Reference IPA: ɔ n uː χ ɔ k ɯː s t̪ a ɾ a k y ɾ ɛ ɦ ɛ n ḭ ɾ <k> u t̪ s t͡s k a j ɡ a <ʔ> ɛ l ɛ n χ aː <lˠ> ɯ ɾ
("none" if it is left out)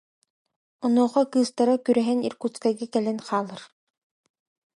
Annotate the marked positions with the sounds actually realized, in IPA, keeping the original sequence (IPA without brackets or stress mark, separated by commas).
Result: k, k, lˠ